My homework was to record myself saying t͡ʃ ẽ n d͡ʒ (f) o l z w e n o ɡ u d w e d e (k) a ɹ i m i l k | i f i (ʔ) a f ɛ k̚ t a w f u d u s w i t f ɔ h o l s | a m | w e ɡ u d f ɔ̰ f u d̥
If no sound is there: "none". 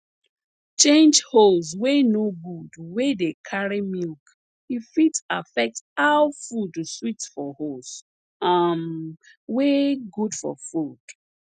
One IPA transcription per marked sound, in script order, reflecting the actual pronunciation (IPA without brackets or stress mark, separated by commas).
h, kʰ, t